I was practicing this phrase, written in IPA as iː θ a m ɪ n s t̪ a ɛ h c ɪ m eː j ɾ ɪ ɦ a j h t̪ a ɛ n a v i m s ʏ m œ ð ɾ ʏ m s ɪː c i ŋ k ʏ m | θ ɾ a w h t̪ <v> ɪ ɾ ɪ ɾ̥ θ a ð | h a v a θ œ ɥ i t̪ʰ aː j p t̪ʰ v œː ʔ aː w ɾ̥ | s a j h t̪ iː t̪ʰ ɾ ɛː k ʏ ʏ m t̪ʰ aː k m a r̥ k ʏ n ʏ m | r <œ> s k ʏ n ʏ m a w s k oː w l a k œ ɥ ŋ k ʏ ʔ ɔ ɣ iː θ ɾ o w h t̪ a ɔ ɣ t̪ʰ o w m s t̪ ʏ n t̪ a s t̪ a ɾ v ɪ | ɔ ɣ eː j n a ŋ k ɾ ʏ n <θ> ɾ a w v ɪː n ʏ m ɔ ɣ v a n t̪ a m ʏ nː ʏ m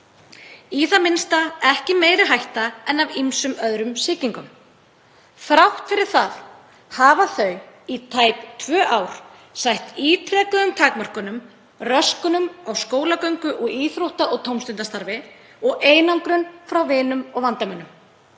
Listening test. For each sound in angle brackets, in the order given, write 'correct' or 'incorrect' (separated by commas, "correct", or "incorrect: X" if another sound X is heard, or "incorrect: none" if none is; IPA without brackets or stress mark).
incorrect: f, correct, incorrect: f